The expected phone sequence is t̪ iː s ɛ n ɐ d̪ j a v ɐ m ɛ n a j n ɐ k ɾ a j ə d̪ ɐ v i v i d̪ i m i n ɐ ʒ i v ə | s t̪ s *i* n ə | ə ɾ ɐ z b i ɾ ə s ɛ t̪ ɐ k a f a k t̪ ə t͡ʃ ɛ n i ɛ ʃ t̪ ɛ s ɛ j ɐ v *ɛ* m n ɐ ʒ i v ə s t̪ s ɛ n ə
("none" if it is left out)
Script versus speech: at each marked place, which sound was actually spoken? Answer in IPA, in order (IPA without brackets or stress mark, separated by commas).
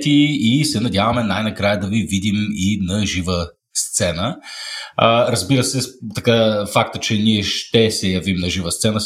ɛ, i